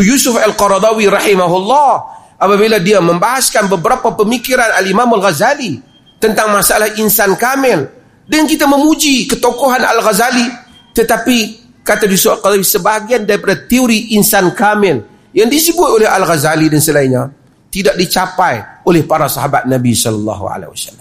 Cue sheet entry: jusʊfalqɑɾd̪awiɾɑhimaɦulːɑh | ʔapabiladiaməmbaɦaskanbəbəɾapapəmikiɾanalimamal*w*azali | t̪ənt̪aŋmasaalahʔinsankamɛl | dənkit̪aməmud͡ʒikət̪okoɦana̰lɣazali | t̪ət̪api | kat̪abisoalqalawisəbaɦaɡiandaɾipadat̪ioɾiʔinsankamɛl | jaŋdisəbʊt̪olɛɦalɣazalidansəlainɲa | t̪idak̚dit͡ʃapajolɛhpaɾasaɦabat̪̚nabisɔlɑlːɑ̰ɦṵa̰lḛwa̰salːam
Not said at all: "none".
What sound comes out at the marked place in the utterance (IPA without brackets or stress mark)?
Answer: ɣ